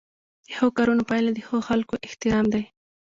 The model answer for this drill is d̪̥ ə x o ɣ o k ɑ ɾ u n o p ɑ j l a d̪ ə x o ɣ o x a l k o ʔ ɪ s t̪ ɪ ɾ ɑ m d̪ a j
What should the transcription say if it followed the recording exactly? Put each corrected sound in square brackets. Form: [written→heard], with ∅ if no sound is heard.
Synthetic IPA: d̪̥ ə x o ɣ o k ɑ ɾ u n o p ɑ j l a d̪ ə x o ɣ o x a l k o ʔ ɪ [s→h] t̪ ɪ ɾ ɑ m d̪ a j

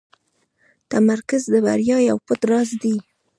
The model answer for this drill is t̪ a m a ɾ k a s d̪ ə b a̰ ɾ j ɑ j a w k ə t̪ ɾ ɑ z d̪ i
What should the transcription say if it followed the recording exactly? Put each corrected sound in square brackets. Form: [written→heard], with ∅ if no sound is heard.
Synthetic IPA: t̪ a m a ɾ k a [s→z] d̪ ə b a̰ ɾ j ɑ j a w [k→p] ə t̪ ɾ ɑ z d̪ i

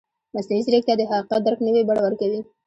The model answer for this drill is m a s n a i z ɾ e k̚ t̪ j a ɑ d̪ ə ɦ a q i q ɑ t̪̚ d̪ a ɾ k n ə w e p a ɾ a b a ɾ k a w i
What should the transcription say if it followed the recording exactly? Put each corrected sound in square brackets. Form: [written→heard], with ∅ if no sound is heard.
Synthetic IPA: m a s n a i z ɾ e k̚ t̪ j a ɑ d̪ ə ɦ a q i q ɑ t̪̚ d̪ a ɾ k n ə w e [p→b] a [ɾ→ɽ] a [b→w] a ɾ k a w i

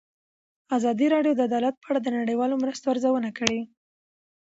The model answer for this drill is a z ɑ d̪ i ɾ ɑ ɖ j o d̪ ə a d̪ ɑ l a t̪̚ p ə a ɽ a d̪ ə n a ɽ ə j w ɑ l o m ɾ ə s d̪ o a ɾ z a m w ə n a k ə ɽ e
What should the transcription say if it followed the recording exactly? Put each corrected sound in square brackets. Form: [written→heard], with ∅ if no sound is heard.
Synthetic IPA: a z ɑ d̪ i ɾ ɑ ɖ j o d̪ ə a d̪ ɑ l a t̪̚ p ə a ɽ a d̪ ə n a ɽ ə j w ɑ l o m ɾ ə s [d̪→t̪] o a ɾ z a [m→∅] w ə n a k ə ɽ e

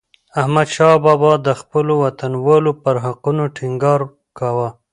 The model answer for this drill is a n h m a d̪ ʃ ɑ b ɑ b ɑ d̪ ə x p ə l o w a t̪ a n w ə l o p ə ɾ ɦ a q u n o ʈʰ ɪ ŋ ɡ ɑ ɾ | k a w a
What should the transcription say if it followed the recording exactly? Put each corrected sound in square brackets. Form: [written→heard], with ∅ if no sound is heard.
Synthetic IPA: a [n→∅] h m a d̪ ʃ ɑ b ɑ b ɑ d̪ ə x p ə l o w a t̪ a n w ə l o p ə ɾ ɦ a q u n o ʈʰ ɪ ŋ ɡ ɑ ɾ | k a w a

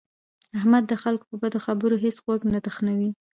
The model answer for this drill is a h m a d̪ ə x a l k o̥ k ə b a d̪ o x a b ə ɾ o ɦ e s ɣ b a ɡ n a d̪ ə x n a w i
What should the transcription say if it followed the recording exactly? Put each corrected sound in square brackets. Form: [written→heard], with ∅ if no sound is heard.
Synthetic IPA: a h m a [d̪→d̪ː] ə x a l k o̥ [k→p] ə b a d̪ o x a b ə ɾ o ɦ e s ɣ [b→w] a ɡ n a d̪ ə x n a w i

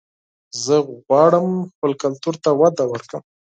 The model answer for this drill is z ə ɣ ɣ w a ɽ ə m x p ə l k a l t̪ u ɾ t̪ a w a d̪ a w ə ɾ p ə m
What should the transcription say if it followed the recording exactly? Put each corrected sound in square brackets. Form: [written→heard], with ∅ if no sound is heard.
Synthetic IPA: z ə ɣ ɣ w [a→ɑ] ɽ ə m x p ə l k a l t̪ u ɾ t̪ a w a d̪ a w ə ɾ [p→k] ə m

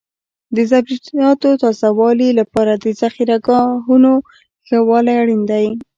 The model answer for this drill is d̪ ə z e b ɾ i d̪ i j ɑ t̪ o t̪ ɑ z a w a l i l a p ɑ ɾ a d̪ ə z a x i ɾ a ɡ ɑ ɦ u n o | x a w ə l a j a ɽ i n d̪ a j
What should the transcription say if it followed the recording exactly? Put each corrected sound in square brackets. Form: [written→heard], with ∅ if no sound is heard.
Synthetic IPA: d̪ ə z [e→a] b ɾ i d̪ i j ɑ t̪ o t̪ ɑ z a w [a→ɑ] l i l a p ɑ ɾ a d̪ ə z a x i ɾ a ɡ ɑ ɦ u n o | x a w [ə→ɑ] l a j a ɽ i n d̪ a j

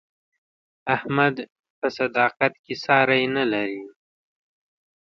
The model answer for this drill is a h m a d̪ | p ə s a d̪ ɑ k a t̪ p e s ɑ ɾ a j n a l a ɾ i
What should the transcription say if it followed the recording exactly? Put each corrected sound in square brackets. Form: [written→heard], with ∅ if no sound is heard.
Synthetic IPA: a h m a d̪ | p ə s a d̪ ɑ [k→q] a t̪ [p→k] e s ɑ ɾ a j n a l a ɾ i

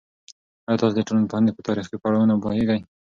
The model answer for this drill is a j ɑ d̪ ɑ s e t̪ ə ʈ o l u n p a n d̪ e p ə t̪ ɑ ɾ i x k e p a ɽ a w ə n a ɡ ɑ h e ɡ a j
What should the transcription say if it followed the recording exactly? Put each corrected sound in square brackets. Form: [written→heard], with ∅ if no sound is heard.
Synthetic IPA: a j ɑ [d̪→t̪] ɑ s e [t̪→d̪] ə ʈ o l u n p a n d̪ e p ə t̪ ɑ ɾ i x k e p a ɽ a w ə n a [ɡ→b] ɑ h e ɡ a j

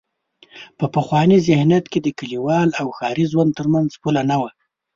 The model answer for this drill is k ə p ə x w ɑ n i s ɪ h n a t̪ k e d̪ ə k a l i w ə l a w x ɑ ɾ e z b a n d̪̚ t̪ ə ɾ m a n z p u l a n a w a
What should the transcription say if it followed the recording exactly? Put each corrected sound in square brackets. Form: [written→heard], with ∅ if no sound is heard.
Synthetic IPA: [k→p] ə p ə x w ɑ n i [s→z] ɪ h n a t̪ k e d̪ ə k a l i w [ə→ɑ] l a w x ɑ ɾ [e→i] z [b→w] a n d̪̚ t̪ ə ɾ m a n z p u l a n a w a

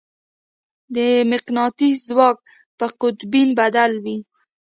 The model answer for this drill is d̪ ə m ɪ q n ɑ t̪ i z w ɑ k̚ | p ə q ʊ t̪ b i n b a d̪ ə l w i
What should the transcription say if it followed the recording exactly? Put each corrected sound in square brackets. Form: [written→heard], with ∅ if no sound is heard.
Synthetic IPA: d̪ ə m ɪ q n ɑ t̪ i z w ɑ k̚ | p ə q ʊ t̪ b i n b a d̪ [ə→a] l w i

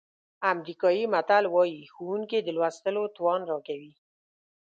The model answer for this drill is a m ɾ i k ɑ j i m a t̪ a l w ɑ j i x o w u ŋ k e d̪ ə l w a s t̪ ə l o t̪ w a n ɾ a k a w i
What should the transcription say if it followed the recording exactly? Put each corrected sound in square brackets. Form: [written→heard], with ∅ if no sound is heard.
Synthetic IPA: a m ɾ i k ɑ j i m a t̪ a l w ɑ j i x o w u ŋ k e d̪ ə l w a s t̪ ə l o t̪ w [a→ɑ] n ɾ [a→ɑ] k a w i

